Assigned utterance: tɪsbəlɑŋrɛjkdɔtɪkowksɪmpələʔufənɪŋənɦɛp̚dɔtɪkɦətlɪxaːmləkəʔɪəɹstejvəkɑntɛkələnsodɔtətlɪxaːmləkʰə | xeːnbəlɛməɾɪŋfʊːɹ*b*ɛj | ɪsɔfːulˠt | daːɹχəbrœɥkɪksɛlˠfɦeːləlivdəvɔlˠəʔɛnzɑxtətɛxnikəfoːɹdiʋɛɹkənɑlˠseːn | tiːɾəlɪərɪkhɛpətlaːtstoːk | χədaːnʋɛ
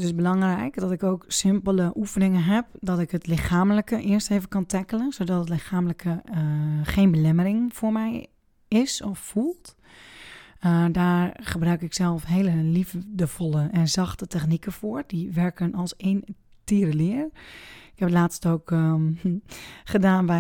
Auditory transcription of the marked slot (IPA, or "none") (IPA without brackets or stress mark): m